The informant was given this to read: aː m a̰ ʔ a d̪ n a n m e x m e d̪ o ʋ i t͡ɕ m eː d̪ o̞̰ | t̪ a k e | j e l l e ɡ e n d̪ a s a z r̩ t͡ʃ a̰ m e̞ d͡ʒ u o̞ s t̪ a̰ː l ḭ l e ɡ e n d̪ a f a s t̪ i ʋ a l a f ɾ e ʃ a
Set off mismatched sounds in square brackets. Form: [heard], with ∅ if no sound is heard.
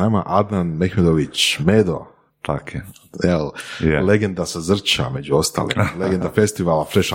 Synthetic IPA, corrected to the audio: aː m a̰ ʔ a d̪ n a n m e x m e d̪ o ʋ i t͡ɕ m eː d̪ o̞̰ | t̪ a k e | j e l l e ɡ e n d̪ a s a z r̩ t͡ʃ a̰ m e̞ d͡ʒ u o̞ s t̪ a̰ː l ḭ l e ɡ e n d̪ a f [e] s t̪ i ʋ a l a f ɾ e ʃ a